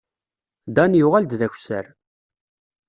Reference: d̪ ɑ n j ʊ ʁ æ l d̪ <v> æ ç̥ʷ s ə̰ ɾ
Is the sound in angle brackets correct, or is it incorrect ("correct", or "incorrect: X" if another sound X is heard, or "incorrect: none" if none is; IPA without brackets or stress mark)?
incorrect: ð